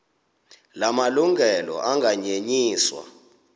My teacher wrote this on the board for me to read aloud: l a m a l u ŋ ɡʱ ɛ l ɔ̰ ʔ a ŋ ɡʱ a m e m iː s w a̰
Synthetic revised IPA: l a m a l u ŋ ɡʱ ɛ l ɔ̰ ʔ a ŋ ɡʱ a ɲ e ɲ iː s w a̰